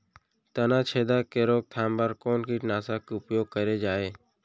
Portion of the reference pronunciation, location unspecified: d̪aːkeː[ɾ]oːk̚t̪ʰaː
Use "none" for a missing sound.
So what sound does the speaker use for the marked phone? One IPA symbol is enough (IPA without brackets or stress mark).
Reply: ɾ